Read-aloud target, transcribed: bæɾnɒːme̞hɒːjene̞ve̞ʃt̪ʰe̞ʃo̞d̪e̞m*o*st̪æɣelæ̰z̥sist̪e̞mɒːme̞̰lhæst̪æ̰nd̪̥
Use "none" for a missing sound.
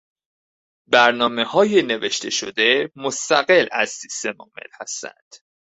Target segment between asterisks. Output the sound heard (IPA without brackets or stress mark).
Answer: o